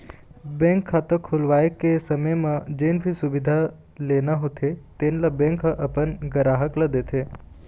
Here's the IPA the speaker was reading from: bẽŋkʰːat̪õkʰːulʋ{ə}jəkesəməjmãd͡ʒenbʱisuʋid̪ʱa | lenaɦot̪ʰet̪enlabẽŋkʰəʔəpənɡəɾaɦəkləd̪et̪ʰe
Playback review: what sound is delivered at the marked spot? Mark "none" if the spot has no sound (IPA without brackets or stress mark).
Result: a